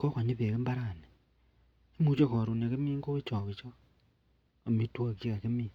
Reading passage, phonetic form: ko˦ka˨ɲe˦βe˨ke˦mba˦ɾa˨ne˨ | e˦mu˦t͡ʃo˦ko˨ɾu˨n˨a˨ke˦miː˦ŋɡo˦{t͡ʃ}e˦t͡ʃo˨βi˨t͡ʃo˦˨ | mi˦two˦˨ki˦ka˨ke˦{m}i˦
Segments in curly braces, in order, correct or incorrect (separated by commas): incorrect, correct